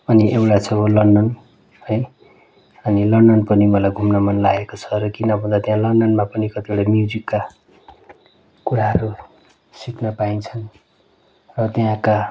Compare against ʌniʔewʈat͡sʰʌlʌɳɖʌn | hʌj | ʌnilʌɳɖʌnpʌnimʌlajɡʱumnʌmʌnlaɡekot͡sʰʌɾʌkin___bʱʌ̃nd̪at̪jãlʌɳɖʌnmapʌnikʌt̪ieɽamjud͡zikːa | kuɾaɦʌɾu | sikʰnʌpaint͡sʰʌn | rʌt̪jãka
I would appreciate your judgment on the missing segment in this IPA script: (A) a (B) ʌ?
B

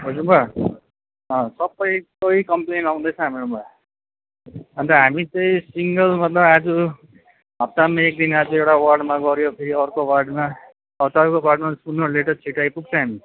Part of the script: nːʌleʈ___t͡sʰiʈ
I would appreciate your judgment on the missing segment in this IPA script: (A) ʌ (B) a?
A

